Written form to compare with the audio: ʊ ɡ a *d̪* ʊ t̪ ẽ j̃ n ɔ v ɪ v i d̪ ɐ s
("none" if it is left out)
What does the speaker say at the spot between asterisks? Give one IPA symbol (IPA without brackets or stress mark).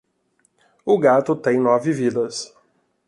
t̪